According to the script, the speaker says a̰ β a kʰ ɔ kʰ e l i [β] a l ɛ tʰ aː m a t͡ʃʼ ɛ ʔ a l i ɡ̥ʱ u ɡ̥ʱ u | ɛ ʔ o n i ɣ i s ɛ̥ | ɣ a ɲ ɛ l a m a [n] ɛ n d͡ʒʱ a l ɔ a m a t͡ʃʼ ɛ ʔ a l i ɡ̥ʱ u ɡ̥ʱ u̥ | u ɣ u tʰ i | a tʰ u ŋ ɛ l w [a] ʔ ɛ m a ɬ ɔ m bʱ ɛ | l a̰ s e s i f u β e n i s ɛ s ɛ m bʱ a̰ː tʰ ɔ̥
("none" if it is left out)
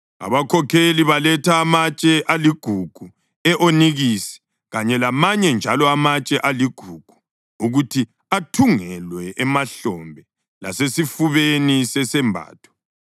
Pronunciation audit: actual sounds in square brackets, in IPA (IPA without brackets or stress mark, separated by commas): β, ɲ, ɛ